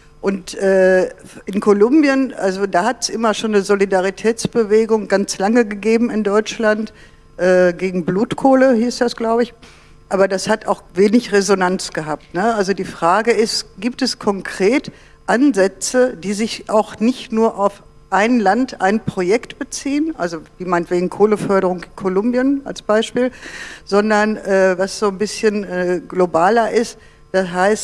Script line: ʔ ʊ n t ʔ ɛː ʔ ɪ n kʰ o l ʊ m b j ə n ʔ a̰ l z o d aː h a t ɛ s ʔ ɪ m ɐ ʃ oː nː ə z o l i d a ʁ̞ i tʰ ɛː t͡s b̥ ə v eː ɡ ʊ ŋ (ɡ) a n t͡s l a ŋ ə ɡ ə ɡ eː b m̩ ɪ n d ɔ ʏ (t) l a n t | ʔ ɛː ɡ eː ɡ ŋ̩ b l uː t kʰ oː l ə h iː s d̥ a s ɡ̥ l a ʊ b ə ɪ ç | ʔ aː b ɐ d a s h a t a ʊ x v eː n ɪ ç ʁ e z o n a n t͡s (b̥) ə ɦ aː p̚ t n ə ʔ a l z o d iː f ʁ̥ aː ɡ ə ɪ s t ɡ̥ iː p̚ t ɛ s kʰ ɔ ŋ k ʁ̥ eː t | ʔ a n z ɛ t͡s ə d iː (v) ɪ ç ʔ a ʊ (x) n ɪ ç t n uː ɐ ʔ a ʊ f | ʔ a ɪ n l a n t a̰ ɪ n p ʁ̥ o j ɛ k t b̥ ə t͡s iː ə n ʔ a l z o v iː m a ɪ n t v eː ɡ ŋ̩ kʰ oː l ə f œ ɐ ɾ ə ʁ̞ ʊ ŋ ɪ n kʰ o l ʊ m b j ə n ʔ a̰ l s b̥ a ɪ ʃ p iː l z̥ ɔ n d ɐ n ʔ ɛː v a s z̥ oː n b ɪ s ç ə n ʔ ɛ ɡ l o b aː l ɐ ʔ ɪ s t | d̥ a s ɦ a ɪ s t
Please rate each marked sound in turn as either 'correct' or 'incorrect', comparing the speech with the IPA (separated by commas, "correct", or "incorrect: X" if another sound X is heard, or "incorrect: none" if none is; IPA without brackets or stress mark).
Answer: correct, incorrect: t͡ʃ, incorrect: ɡ̥, incorrect: z, correct